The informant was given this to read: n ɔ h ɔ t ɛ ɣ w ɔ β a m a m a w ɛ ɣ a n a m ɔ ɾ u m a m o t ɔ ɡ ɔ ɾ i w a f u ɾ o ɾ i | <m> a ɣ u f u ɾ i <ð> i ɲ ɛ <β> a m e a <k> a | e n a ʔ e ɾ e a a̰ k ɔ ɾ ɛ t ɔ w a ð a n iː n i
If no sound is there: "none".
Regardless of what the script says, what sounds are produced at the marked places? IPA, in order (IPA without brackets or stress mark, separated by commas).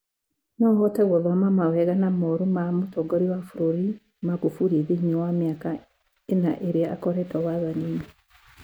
m, ð, w, k